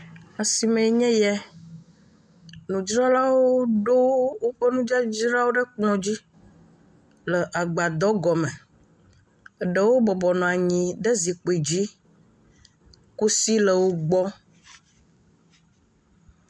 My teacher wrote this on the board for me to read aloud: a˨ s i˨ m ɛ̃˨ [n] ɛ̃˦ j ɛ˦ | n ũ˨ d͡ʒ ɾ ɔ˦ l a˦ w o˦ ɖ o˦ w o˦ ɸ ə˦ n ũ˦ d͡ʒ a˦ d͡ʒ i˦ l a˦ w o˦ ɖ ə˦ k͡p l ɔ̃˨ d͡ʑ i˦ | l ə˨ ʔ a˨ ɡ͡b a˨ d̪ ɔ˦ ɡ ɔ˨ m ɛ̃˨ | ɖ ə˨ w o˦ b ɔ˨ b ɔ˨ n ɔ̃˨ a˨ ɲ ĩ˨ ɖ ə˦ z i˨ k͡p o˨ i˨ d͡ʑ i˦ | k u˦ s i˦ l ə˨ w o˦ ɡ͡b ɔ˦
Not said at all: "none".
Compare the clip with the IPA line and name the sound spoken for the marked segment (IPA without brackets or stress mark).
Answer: ɲ